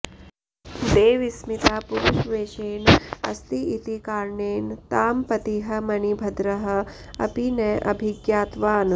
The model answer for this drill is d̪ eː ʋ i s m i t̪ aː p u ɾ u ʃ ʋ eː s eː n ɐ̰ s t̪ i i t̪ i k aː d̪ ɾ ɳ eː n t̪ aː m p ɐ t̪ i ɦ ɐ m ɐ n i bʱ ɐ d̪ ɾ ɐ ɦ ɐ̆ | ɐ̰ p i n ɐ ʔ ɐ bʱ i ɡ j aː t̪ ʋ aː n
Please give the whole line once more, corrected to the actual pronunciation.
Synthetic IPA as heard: d̪ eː ʋ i s m i t̪ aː p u ɾ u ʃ ʋ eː ʃ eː n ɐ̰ s t̪ i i t̪ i k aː ɾ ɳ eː n t̪ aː m p ɐ t̪ i ɦ ɐ m ɐ n i bʱ ɐ d̪ ɾ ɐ ɦ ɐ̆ | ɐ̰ p i n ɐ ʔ ɐ bʱ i ɡ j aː t̪ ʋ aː n